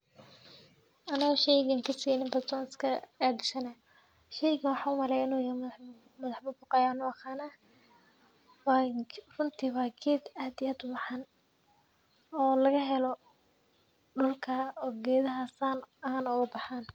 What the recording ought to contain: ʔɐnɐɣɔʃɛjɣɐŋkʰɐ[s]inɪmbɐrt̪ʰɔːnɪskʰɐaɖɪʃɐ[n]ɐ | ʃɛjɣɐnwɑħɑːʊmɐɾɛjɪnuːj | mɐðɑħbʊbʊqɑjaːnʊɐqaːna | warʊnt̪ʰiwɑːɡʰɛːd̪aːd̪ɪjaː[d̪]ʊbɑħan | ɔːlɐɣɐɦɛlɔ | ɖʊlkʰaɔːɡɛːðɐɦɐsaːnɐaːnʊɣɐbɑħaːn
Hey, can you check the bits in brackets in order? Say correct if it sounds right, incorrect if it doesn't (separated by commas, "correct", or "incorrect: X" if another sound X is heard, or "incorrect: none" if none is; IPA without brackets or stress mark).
correct, correct, correct